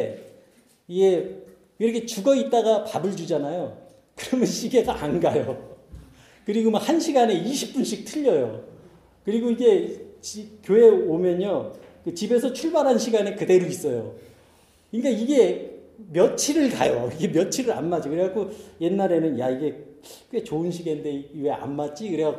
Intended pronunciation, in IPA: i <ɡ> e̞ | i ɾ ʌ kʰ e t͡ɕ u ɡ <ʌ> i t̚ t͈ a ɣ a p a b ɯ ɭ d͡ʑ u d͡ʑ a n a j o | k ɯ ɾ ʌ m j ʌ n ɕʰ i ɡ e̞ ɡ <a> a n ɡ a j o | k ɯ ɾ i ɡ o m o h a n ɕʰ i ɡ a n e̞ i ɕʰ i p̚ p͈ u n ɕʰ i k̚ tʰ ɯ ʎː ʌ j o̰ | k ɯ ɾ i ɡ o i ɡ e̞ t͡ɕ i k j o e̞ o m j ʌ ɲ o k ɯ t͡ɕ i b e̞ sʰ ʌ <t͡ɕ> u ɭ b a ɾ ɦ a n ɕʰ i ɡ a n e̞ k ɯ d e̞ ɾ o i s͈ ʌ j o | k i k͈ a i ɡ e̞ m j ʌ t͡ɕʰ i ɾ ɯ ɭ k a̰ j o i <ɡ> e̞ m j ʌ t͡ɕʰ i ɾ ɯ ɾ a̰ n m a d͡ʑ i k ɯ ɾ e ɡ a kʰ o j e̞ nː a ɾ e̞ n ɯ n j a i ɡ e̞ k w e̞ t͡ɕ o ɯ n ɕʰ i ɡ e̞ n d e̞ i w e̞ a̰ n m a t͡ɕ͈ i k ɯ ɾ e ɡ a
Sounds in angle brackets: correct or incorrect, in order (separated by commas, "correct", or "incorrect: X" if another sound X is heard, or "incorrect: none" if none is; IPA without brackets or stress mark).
correct, correct, correct, incorrect: t͡ɕʰ, correct